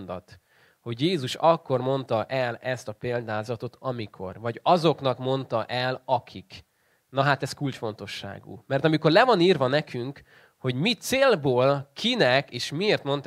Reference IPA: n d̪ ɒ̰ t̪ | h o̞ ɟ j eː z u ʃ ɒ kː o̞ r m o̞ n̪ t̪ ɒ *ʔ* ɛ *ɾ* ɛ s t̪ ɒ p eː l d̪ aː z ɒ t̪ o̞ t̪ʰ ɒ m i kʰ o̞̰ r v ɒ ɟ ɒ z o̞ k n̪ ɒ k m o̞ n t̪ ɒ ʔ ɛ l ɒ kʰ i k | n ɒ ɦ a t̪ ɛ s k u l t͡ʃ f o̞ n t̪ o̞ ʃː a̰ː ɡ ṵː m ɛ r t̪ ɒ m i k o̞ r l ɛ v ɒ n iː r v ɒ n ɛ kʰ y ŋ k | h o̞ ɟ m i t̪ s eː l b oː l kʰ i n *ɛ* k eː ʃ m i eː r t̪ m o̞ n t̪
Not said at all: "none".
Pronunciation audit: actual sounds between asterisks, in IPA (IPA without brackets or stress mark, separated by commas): ʔ, l, ɛ